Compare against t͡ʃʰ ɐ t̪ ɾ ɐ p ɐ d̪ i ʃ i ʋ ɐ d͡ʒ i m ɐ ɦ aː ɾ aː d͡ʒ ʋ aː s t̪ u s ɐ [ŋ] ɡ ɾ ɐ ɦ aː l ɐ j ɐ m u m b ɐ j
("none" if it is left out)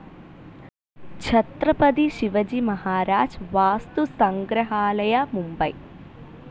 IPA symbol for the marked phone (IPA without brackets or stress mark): ŋ